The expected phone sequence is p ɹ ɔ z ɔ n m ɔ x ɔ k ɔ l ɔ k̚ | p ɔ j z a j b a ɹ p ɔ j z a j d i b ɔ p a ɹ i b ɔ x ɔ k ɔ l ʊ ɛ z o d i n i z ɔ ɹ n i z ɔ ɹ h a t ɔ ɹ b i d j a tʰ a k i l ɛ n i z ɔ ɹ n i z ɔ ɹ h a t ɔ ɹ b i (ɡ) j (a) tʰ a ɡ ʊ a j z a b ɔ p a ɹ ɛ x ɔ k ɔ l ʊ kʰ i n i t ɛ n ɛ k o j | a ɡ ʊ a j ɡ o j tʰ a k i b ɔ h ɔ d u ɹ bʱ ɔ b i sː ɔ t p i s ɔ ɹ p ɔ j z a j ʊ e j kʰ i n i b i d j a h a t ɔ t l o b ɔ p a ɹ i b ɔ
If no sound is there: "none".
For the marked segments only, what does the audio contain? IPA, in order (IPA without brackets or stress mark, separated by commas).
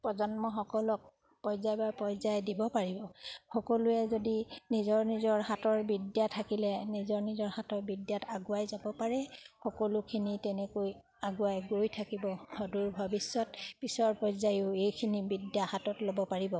d, a